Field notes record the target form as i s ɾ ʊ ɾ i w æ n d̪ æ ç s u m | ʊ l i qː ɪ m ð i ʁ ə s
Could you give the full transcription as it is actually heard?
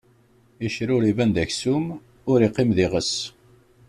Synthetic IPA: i ʃ ɾ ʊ ɾ i v æ n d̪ æ ç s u m | ʊ ɾ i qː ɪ m ð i ʁ ə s